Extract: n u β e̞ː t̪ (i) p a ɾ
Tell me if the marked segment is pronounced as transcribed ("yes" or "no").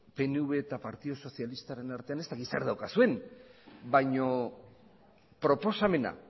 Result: no